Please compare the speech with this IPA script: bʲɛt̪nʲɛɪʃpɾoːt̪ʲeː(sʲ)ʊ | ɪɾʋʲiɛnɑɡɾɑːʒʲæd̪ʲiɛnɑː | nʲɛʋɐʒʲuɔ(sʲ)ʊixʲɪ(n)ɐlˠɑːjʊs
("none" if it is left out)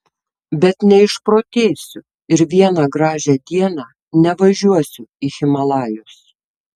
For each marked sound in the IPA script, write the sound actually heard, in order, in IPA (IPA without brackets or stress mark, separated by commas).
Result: sʲ, sʲ, m